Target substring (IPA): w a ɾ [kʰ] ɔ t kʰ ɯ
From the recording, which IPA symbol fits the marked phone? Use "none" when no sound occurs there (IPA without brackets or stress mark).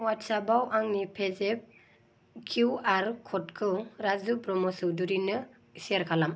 kʰ